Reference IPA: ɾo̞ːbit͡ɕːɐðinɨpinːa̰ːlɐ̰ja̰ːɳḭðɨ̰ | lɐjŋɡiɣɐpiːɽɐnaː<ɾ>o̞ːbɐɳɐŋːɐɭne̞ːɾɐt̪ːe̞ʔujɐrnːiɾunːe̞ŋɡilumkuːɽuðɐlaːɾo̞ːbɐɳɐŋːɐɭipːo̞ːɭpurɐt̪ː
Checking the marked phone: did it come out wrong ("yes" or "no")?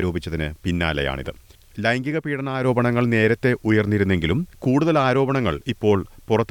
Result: no